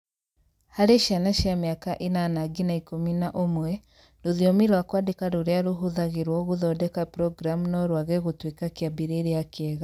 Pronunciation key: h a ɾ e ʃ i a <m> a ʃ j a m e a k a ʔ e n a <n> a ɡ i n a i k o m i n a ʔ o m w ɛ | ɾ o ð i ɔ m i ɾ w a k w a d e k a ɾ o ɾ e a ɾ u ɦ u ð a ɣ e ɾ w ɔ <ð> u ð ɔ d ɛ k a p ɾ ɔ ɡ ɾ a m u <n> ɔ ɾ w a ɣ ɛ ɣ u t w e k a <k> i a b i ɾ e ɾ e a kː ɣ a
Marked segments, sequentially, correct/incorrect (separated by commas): incorrect, correct, incorrect, correct, correct